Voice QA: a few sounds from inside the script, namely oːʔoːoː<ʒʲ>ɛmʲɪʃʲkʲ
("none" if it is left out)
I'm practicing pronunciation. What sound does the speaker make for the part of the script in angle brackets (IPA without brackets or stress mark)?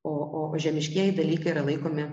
ʒʲ